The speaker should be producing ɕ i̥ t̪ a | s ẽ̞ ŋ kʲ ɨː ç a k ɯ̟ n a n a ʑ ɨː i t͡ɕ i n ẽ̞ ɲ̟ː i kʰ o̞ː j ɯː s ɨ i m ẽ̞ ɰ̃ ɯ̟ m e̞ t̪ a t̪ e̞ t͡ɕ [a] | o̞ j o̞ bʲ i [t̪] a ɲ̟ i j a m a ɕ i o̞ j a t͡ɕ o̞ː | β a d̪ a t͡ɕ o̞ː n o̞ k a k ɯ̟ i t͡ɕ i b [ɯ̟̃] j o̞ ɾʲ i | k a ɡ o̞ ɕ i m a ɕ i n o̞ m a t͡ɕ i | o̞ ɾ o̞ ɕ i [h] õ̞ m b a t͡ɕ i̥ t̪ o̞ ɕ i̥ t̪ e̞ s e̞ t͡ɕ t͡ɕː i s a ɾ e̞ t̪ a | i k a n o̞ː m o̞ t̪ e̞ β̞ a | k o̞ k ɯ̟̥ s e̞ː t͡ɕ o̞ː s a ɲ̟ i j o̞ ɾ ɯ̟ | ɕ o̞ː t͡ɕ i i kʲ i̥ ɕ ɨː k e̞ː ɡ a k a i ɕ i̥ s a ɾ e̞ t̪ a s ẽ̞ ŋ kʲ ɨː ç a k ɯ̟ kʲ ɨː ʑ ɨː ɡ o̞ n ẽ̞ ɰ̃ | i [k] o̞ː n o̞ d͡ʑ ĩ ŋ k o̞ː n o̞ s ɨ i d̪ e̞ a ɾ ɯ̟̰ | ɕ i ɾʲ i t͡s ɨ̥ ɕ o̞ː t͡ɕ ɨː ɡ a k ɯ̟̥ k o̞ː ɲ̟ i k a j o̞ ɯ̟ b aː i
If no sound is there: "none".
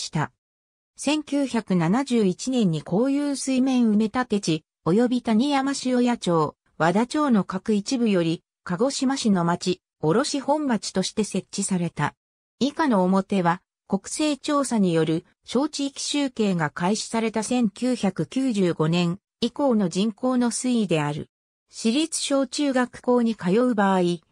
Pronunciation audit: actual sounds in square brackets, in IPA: i, t̪, ɯ̟, h, k

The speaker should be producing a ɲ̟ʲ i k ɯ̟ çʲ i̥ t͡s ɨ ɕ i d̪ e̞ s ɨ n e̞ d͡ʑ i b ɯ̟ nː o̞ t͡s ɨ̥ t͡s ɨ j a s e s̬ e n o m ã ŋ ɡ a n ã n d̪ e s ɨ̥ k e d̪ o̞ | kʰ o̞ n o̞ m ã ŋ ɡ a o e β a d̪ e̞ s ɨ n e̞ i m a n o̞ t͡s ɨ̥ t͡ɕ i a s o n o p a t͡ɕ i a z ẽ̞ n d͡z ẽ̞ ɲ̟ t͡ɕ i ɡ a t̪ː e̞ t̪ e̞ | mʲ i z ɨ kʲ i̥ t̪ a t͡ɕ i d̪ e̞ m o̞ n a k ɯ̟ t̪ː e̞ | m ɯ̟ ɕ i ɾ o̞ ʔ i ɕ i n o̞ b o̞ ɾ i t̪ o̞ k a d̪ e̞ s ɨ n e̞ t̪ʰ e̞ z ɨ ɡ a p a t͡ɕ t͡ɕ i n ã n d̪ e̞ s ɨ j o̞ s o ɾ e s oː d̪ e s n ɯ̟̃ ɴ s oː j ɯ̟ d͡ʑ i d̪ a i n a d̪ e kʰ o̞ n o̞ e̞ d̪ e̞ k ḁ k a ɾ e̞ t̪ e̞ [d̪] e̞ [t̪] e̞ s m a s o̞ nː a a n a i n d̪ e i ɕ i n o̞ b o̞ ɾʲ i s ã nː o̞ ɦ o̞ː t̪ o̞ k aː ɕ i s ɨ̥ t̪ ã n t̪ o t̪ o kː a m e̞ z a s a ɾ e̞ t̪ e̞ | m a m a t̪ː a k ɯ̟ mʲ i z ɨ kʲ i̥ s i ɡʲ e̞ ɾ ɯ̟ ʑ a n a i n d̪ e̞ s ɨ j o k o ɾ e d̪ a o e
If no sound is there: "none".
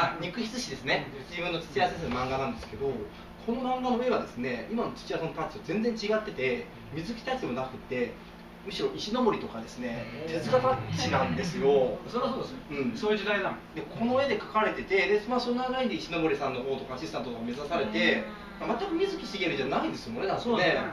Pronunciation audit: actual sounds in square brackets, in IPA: t̪, d̪

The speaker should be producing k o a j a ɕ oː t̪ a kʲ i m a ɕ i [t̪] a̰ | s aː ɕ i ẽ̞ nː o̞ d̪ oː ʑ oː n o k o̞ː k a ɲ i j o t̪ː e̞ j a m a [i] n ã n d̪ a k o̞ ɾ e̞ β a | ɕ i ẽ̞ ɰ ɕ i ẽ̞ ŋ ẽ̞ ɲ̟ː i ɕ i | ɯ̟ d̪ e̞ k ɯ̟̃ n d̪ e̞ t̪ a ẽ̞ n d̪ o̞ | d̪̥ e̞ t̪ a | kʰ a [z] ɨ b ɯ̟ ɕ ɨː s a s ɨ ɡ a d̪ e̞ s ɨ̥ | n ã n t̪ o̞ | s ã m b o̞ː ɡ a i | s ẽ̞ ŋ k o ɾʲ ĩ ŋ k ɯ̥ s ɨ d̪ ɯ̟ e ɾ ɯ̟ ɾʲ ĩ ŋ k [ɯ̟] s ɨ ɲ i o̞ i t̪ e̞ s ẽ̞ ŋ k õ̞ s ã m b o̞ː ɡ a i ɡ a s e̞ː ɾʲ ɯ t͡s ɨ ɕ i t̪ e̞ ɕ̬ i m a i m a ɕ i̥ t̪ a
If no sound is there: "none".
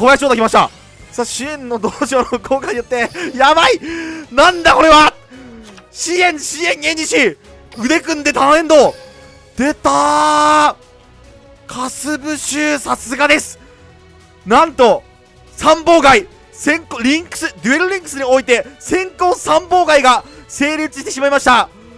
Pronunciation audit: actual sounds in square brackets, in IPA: t̪, i, s, ɯ̟

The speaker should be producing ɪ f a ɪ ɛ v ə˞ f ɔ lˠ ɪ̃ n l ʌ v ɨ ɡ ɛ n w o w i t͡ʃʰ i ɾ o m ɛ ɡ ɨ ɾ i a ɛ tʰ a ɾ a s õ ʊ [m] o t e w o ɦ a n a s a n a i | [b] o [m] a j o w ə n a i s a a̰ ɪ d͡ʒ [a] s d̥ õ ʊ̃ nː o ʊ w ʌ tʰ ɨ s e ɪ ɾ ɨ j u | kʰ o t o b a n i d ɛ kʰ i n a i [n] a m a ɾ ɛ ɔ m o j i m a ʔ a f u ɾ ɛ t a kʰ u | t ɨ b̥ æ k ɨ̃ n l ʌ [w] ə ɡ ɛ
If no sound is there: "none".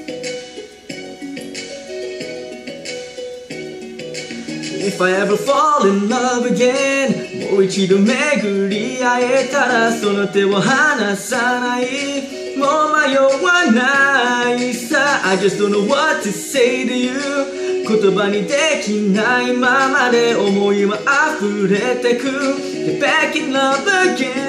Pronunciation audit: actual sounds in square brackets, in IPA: n, m, m, ʌ, m, v

